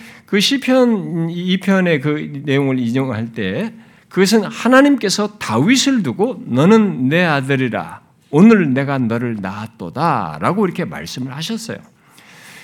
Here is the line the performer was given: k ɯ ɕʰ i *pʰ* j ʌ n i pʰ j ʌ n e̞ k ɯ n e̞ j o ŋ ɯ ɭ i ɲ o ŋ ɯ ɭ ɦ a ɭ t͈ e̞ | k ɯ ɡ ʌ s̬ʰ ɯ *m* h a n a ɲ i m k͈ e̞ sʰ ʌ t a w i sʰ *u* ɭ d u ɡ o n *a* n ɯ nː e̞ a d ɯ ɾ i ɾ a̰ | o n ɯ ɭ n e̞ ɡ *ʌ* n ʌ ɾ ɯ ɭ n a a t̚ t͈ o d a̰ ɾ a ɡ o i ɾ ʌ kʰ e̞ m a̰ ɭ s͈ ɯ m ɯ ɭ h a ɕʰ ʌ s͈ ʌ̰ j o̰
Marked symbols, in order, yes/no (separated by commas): yes, no, no, no, no